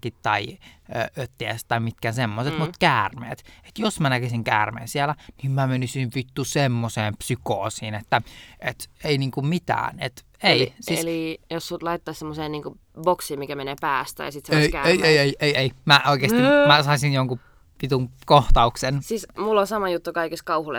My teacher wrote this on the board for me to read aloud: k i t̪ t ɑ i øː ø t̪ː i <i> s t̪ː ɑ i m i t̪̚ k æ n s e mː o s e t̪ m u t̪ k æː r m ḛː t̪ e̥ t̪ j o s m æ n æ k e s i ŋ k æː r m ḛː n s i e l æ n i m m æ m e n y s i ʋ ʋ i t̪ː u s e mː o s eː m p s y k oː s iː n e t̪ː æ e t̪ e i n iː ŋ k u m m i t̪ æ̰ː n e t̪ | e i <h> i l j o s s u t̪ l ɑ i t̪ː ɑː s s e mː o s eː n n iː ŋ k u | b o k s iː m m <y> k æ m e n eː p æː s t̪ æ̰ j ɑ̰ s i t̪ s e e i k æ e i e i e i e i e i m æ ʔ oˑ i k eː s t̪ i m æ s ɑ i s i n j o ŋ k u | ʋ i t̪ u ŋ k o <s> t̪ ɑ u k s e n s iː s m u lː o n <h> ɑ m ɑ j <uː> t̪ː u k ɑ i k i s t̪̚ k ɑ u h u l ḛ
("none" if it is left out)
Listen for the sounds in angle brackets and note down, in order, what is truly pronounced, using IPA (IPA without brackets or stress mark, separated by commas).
æ, s, i, h, s, u